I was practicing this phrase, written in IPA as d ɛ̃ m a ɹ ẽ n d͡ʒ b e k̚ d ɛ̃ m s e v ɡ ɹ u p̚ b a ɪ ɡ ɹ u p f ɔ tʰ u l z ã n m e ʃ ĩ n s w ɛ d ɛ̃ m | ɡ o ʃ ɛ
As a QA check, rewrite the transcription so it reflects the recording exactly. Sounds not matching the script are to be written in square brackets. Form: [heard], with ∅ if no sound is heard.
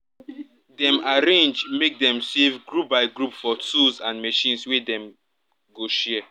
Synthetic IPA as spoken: d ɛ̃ m a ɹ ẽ n d͡ʒ [m] e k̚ d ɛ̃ m s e v ɡ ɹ u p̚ b a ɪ ɡ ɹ u p f ɔ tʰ u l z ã n m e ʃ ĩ n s w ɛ d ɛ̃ m | ɡ o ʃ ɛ